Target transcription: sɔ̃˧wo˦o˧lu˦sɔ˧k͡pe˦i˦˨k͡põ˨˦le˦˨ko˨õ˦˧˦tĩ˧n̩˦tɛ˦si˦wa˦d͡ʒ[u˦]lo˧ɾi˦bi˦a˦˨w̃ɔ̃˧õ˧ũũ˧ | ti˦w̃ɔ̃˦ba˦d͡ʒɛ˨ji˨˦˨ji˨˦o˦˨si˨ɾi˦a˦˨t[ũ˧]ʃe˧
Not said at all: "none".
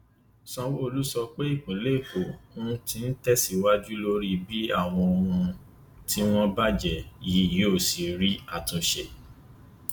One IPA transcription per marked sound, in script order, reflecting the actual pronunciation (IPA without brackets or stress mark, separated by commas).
u˦, ũ˧